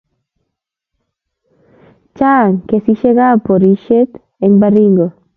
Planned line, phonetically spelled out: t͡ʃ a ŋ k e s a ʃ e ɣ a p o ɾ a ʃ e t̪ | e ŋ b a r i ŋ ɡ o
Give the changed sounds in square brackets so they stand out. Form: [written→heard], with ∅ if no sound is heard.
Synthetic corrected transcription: t͡ʃ a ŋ k e s [a→i] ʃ e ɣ a p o ɾ [a→i] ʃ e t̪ | e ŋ b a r i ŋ ɡ o